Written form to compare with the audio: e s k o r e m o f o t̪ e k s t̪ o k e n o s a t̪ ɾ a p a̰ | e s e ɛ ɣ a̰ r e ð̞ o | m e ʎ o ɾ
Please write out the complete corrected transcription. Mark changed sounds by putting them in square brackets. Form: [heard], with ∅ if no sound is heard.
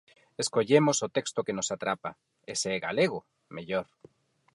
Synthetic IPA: e s k o [ʎ] e m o [s] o t̪ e k s t̪ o k e n o s a t̪ ɾ a p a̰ | e s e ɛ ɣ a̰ [l] e [ɣ̞] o | m e ʎ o ɾ